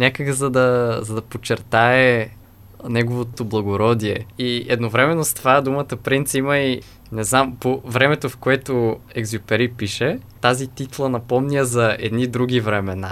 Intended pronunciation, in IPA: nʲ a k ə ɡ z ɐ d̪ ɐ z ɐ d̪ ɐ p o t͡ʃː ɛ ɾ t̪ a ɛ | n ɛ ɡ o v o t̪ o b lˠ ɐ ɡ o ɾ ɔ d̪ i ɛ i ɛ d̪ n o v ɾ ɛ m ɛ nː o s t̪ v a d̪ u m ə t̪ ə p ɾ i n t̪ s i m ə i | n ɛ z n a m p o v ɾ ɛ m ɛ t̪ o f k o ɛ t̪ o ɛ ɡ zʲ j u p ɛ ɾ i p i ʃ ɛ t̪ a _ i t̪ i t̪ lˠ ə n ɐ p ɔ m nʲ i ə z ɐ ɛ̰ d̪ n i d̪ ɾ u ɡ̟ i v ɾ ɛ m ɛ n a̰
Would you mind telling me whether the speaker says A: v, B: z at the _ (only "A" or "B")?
B